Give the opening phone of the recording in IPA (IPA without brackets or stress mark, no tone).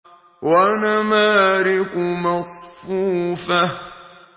w